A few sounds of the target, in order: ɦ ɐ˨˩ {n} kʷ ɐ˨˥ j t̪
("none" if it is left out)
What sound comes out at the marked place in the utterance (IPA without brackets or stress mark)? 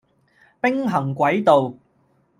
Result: ŋ